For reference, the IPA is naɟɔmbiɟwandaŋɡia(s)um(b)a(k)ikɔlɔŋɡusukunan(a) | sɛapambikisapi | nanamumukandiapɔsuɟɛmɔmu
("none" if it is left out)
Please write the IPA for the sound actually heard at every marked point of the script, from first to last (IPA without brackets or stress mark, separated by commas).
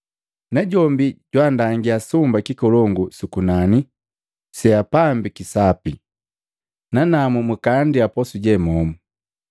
s, b, k, i